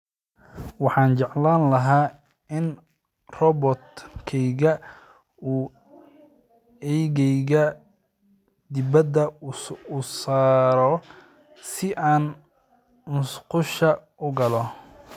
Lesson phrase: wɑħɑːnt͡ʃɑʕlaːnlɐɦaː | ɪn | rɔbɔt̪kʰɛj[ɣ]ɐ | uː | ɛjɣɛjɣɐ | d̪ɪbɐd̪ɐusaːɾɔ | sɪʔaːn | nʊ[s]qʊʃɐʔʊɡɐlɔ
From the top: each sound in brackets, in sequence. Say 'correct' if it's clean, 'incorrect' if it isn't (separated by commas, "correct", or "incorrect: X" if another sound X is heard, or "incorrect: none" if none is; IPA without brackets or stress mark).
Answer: correct, correct